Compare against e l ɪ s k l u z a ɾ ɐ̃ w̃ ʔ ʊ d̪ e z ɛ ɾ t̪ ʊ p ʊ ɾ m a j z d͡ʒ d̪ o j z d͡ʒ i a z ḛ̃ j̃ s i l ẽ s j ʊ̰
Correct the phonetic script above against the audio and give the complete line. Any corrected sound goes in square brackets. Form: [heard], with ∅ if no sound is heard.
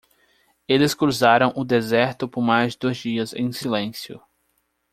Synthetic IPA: e l ɪ s k [ɾ] u z a ɾ ɐ̃ w̃ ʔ ʊ d̪ e z ɛ ɾ t̪ ʊ p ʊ ɾ m a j z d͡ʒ d̪ o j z d͡ʒ i [ɐ] z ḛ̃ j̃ s i l ẽ s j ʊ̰